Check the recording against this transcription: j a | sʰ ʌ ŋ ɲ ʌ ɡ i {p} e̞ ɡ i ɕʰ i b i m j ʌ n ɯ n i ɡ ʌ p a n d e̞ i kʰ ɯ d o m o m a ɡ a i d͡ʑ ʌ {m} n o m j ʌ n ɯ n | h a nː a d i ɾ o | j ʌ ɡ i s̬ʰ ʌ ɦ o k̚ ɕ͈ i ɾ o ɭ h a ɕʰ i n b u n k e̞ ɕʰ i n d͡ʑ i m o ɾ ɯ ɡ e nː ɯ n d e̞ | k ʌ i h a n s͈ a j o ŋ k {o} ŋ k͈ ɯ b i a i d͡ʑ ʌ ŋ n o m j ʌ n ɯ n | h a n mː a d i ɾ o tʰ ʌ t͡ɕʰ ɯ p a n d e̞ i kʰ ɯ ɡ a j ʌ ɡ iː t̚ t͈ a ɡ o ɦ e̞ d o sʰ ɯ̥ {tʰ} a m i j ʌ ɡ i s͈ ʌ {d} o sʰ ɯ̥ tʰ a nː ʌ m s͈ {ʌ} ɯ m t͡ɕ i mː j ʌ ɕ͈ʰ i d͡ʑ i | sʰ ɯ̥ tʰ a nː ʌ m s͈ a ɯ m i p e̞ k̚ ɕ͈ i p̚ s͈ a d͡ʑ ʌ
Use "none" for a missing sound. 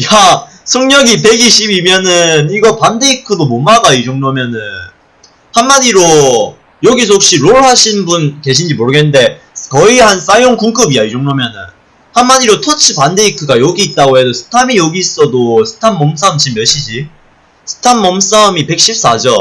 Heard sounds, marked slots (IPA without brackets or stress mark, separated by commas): p, ŋ, u, tʰ, d, a